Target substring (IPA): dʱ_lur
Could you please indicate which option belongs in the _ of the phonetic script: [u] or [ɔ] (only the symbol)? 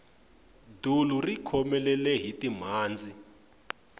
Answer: u